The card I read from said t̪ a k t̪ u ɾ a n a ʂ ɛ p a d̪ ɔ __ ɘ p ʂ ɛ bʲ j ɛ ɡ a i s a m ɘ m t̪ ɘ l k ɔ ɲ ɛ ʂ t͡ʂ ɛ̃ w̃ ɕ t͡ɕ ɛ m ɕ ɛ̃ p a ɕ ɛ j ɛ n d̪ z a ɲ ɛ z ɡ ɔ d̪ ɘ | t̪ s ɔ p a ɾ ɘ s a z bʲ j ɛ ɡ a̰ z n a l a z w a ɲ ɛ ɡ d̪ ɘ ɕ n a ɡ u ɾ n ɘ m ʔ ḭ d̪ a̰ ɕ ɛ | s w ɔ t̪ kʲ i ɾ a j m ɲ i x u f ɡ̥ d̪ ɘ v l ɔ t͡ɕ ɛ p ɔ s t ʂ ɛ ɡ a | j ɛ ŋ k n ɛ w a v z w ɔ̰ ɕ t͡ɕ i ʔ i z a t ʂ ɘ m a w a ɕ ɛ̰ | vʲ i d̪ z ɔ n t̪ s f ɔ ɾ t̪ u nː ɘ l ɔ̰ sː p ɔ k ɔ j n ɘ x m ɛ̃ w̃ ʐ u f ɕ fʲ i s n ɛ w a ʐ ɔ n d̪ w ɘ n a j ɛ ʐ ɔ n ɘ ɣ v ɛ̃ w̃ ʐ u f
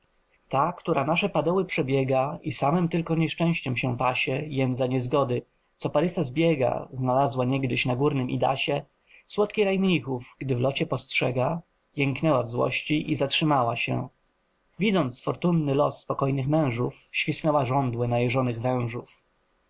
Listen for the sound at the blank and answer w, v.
w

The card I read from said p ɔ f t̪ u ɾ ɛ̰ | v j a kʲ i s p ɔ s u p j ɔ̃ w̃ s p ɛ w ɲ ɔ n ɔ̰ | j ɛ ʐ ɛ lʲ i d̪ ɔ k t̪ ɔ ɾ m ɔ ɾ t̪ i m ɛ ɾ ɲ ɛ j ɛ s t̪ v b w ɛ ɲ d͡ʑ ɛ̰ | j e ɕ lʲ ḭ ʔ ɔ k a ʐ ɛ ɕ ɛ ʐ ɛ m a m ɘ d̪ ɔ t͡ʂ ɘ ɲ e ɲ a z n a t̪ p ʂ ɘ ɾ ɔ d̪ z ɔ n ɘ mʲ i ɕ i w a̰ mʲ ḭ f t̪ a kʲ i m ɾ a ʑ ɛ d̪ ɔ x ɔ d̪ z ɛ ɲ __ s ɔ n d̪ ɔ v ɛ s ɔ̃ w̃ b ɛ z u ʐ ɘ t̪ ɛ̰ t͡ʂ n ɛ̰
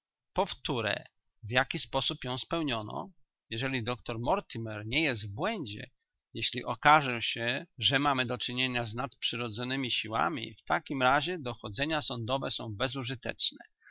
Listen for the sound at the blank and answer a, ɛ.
a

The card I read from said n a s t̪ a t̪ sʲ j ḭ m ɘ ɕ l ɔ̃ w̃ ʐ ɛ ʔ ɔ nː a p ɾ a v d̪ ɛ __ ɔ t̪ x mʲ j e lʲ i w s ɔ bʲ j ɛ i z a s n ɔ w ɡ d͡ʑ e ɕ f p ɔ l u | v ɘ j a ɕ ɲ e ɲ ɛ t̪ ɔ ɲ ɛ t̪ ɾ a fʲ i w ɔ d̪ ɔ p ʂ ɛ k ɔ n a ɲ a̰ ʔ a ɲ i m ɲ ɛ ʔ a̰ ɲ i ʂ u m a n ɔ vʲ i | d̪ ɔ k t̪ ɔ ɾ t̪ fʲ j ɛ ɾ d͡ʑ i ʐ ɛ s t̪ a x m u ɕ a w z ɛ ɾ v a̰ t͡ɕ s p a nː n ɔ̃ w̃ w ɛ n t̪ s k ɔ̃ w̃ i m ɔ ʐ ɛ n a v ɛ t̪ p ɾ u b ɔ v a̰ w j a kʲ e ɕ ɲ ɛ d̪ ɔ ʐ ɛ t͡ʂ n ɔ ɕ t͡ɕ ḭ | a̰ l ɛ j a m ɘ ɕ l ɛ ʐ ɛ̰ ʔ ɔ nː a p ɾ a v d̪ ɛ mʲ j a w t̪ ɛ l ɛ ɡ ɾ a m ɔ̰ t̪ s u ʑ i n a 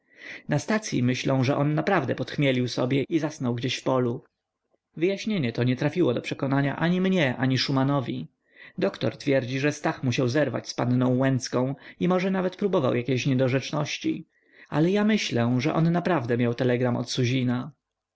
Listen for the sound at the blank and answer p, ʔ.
p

